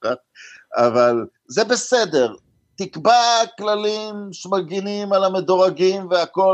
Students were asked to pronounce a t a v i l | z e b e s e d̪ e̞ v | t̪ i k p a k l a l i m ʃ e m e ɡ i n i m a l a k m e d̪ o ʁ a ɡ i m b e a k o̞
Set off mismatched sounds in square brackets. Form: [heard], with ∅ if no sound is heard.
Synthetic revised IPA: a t a v [a] l | z e b e s e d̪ e̞ [ʁ] | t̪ i k [b] a k l a l i m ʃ e m [a] ɡ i n i m a l a [∅] m e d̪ o ʁ a ɡ i m [v] e a k o̞